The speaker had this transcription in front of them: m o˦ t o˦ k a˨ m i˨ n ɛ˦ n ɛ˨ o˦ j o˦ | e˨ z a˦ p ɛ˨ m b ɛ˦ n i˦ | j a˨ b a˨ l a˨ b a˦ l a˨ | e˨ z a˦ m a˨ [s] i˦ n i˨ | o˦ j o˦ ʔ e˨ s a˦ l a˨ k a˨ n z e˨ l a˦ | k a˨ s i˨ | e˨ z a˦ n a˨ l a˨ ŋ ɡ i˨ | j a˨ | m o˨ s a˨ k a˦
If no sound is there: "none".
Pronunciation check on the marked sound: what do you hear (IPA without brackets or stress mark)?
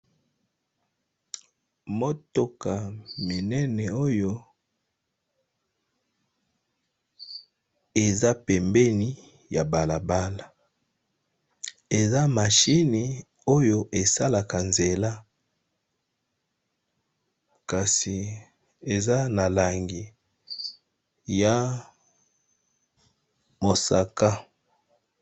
ʃ